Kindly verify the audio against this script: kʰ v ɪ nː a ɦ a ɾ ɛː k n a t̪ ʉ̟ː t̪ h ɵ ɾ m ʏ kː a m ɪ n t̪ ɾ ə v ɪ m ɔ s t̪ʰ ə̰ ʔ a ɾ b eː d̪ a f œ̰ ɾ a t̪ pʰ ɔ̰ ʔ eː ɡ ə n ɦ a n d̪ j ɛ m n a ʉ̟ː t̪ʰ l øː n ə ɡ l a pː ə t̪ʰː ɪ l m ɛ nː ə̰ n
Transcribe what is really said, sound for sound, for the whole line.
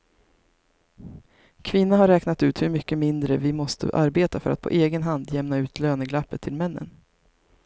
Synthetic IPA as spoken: kʰ v ɪ nː a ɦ a ɾ ɛː k n a t̪ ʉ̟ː t̪ h ɵ ɾ m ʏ kː ə m ɪ n d̪ ɾ ə v ɪ m ɔ s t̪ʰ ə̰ ʔ a ɾ b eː t̪ a f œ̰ ɾ a t̪ pʰ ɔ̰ ʔ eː ɡ ə n ɦ a n d̪ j ɛ m n a ʉ̟ː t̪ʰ l øː n ə ɡ l a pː ə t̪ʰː ɪ l m ɛ nː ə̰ n